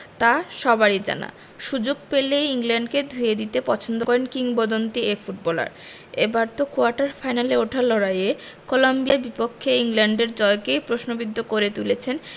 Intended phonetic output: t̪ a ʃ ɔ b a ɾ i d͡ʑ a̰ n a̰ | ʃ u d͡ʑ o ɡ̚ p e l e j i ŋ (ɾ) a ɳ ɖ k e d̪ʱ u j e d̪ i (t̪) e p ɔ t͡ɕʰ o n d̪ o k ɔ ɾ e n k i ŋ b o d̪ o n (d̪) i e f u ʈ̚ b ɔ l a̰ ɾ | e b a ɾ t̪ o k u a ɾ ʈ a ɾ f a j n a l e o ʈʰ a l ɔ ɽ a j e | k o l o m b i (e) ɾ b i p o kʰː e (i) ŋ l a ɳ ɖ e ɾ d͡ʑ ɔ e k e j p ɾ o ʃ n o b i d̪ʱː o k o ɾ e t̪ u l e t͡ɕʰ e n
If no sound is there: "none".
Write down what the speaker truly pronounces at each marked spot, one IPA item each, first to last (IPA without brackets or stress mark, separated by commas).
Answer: l, t̪, t̪, a, i